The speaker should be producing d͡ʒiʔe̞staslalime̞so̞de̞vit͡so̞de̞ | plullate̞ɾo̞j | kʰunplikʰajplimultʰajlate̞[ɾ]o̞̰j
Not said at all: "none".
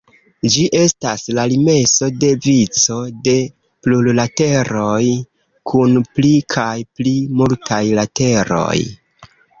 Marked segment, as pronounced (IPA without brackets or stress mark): ɾ